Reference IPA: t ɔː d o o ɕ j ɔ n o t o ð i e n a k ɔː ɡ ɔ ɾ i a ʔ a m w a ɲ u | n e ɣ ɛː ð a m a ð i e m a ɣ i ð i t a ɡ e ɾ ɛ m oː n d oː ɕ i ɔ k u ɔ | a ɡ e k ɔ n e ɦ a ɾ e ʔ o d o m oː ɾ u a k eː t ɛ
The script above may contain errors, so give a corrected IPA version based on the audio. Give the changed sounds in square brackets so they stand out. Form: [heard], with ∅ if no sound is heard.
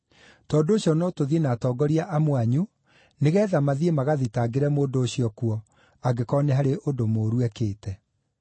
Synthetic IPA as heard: t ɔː d o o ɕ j ɔ n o t o ð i e n a [t] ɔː ɡ ɔ ɾ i a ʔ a m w a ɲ u | n e ɣ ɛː ð a m a ð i e m a ɣ [a] ð i t a ɡ e ɾ ɛ m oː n d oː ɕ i ɔ k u ɔ | a ɡ e k ɔ n e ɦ a ɾ e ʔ o d o m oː ɾ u [ɛ] k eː t ɛ